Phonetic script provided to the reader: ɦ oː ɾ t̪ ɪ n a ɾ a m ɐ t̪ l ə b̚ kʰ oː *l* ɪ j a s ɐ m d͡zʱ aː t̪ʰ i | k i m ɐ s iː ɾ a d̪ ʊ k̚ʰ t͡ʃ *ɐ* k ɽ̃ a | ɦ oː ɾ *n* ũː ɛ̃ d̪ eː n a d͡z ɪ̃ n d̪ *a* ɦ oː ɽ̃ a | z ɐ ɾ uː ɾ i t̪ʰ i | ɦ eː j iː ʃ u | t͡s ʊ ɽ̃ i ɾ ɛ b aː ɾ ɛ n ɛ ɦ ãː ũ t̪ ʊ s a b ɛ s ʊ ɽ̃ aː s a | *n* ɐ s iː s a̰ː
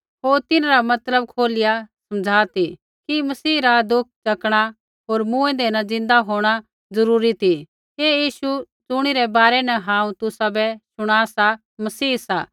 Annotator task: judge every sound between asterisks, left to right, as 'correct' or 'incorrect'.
correct, correct, incorrect, correct, incorrect

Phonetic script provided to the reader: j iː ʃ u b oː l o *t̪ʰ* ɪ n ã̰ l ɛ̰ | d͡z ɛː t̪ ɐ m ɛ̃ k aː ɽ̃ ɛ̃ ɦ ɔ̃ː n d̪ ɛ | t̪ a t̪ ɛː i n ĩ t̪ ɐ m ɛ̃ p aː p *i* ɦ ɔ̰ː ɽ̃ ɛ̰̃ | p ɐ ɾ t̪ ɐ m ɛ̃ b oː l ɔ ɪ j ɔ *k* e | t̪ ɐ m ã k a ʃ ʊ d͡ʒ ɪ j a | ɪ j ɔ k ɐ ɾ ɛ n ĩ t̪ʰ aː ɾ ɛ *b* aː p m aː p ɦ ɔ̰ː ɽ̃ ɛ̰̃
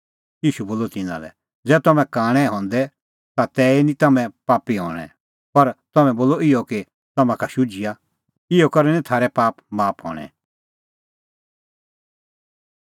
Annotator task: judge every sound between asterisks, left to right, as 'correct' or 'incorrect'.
incorrect, correct, correct, incorrect

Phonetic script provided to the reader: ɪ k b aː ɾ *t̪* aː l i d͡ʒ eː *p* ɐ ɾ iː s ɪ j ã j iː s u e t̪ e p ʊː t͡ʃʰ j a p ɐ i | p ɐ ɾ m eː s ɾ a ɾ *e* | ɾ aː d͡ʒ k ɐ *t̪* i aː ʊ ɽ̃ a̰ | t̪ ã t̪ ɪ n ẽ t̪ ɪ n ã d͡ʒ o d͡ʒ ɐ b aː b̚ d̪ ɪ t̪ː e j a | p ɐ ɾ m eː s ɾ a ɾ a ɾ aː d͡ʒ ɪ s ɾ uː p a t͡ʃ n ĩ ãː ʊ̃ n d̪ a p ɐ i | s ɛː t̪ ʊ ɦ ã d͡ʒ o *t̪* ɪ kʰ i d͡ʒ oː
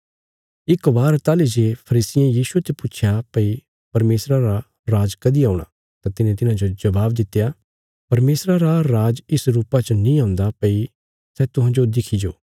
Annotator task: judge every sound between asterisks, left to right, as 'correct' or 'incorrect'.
correct, incorrect, incorrect, incorrect, incorrect

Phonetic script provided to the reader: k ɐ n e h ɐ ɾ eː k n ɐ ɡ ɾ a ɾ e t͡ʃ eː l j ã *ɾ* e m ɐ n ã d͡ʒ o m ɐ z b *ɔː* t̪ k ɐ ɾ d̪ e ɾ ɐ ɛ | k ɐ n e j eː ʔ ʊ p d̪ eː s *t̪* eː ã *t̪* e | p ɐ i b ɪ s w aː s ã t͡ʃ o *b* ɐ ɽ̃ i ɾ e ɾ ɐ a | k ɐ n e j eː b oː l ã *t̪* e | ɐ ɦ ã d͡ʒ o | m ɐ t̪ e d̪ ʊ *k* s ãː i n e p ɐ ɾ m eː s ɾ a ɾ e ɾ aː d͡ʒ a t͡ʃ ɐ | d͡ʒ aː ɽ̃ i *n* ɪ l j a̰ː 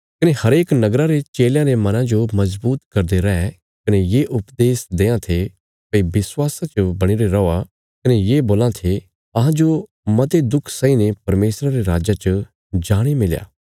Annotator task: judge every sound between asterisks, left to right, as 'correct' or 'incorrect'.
correct, incorrect, incorrect, incorrect, correct, incorrect, incorrect, incorrect

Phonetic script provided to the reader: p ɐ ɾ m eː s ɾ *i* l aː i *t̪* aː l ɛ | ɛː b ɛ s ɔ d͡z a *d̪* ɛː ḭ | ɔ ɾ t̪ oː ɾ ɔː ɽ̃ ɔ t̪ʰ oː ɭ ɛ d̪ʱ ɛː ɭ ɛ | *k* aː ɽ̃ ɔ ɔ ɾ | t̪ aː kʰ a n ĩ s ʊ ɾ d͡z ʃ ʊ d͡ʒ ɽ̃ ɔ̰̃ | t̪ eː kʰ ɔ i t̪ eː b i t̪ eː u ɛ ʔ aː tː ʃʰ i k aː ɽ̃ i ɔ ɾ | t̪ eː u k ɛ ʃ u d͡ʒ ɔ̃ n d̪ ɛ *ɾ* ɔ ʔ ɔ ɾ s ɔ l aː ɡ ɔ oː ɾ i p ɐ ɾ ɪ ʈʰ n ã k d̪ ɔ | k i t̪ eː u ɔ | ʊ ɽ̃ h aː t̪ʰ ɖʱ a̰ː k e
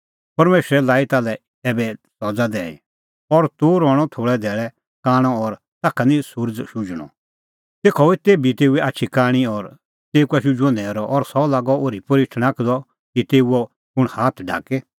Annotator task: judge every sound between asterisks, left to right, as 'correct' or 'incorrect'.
incorrect, correct, correct, correct, correct

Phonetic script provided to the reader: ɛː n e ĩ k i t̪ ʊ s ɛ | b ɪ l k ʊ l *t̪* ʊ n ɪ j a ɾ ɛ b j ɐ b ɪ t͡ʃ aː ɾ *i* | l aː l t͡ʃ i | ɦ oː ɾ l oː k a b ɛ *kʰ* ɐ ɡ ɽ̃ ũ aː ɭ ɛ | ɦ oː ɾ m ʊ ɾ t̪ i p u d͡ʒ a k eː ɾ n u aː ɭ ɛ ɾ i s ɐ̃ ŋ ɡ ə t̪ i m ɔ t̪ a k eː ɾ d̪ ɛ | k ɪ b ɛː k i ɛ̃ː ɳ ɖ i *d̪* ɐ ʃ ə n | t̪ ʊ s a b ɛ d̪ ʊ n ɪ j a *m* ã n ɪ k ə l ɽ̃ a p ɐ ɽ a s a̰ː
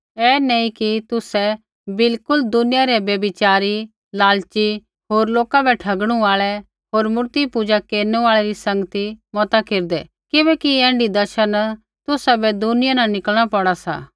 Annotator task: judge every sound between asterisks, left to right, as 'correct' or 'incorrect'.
incorrect, correct, incorrect, correct, incorrect

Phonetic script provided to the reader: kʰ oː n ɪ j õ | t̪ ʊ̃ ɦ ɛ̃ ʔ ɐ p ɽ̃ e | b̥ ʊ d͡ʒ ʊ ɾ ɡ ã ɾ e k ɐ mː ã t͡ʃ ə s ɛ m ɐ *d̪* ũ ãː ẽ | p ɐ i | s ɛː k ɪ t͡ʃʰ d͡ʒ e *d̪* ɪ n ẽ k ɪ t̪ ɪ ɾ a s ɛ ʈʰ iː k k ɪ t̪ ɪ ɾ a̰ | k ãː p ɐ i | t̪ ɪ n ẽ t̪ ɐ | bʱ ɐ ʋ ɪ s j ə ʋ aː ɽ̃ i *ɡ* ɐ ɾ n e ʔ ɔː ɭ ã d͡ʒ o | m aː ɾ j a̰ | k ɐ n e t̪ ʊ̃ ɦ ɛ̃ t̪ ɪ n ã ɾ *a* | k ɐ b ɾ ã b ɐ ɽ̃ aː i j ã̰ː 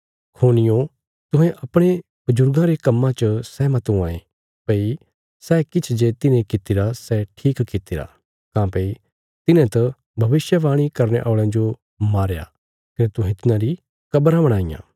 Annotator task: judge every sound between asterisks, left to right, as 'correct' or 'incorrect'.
incorrect, incorrect, incorrect, incorrect

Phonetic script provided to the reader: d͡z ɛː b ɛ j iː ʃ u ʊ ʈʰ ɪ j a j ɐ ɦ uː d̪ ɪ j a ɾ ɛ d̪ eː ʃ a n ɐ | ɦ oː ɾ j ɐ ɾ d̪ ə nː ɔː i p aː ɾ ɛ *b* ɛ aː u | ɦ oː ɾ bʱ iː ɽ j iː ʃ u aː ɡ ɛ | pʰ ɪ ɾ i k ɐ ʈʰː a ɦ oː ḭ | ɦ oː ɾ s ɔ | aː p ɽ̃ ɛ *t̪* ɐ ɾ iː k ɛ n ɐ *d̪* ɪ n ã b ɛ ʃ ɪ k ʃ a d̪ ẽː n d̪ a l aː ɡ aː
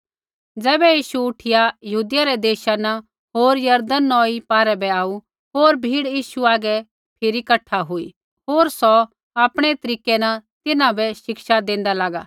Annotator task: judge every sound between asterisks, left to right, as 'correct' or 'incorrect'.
correct, correct, incorrect

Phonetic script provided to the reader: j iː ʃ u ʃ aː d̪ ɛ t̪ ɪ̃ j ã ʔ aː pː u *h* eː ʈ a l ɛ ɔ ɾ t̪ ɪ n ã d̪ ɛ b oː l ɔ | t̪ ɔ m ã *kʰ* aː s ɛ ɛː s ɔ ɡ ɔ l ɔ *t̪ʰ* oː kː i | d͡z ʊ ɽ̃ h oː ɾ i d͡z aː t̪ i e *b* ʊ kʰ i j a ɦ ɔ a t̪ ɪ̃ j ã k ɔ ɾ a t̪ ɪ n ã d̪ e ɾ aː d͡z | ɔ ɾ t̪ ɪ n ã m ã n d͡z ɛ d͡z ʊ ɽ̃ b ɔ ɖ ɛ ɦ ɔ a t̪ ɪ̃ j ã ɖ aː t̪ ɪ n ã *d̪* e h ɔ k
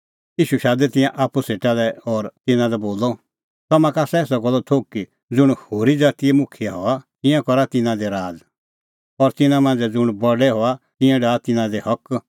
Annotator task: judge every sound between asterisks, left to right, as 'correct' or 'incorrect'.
incorrect, incorrect, correct, incorrect, correct

